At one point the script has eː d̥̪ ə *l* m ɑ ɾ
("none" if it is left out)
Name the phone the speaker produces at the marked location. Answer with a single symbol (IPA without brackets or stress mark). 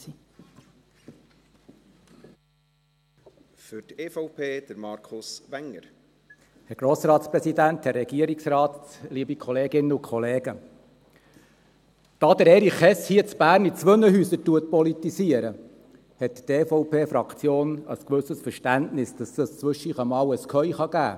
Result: ɾ